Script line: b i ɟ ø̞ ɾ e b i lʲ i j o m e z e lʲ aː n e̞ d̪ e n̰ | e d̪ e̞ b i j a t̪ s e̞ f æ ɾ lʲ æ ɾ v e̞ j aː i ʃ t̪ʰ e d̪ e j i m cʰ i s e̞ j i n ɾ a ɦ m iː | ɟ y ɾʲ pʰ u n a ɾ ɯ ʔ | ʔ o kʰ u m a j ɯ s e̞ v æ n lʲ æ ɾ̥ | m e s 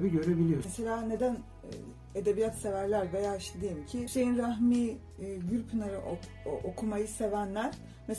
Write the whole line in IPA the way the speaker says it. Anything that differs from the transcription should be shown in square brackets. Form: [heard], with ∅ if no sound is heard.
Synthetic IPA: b i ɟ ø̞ ɾ e b i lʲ i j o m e [s] e lʲ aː n e̞ d̪ [æ] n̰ | e d̪ e̞ b i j a t̪ s e̞ [v] æ ɾ lʲ æ ɾ v e̞ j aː i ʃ t̪ʰ e d̪ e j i m cʰ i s e̞ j i n ɾ a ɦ m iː | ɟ y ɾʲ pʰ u n a ɾ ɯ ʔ | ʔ o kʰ u m a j ɯ s e̞ v æ n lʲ æ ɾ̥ | m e s